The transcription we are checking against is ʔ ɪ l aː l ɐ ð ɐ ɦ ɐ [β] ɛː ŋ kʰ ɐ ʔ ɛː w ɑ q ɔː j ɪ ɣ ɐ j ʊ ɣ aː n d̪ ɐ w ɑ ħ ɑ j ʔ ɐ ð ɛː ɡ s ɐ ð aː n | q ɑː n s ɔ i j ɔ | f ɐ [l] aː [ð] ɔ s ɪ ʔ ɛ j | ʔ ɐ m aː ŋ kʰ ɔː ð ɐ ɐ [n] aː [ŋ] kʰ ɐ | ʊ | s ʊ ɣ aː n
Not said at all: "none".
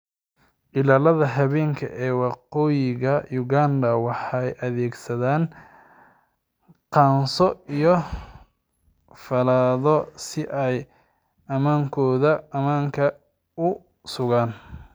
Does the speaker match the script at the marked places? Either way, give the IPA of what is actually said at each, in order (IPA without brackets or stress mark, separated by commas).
β, l, ð, m, ŋ